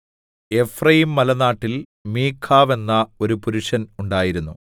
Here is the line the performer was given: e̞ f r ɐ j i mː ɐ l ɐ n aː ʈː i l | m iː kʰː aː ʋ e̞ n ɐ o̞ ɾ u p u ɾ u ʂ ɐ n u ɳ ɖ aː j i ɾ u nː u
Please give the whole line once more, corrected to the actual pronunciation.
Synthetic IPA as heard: e̞ f r ɐ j i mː ɐ l ɐ n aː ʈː i l | m iː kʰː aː ʋ e̞ nː ɐ o̞ ɾ u p u ɾ u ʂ ɐ n u ɳ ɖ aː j i ɾ u nː u